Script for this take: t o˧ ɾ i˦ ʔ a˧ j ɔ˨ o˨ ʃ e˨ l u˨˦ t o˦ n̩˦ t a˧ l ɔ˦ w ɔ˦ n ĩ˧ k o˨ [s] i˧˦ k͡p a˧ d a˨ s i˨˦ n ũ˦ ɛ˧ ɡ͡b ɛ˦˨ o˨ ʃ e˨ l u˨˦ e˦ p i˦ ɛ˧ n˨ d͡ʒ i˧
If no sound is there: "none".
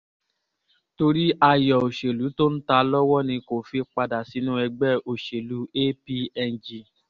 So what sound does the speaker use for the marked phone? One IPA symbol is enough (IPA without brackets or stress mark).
f